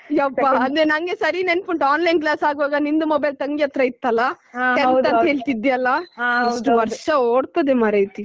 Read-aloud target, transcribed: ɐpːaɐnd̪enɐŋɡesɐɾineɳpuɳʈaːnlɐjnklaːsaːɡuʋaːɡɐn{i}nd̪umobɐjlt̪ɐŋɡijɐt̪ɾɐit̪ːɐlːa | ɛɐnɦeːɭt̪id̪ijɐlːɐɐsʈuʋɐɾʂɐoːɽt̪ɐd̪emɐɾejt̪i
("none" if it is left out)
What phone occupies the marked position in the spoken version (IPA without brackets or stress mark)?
i